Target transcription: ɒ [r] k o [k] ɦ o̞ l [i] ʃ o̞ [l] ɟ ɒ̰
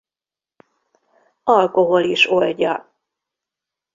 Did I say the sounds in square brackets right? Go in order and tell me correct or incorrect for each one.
incorrect, incorrect, correct, correct

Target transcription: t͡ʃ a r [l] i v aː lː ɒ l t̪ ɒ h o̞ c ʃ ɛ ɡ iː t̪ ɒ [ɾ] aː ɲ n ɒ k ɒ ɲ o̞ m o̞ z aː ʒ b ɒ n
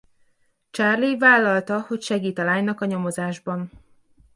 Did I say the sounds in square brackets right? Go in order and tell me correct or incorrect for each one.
correct, incorrect

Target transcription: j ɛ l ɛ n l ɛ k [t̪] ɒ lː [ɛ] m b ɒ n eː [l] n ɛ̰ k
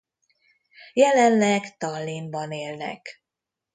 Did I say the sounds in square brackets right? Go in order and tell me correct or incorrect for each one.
correct, incorrect, correct

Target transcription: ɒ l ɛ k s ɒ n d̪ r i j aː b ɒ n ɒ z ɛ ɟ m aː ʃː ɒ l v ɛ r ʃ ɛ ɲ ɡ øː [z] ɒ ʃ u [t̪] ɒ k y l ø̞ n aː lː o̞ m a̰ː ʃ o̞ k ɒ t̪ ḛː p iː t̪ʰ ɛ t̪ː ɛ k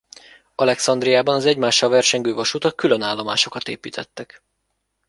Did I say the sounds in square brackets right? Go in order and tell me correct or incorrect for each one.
incorrect, correct

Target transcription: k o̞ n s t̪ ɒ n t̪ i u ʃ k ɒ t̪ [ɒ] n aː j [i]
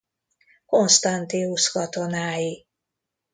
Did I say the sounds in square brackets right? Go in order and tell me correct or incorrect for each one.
incorrect, correct

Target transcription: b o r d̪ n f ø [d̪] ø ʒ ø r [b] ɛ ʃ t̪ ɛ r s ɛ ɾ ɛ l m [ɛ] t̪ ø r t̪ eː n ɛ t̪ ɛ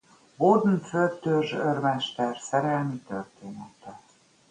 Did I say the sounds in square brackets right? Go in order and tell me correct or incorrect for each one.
incorrect, incorrect, incorrect

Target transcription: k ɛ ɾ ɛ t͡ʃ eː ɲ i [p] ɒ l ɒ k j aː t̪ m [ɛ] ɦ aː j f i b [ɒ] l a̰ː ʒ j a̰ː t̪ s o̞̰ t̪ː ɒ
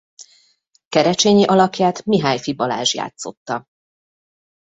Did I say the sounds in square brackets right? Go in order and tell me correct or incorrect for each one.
incorrect, incorrect, correct

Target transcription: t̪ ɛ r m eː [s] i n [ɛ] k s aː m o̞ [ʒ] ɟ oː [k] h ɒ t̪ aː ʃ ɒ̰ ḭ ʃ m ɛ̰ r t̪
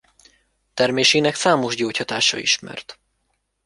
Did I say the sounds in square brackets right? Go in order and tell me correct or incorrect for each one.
incorrect, correct, correct, incorrect

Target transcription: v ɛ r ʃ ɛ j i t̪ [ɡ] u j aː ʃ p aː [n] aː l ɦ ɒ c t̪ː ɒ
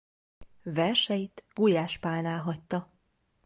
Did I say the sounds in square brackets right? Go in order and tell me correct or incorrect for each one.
correct, correct

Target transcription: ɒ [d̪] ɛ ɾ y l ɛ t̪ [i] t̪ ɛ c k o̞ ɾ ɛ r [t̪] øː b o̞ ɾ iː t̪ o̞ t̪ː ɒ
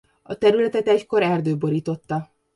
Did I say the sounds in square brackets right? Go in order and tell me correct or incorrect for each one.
incorrect, incorrect, incorrect

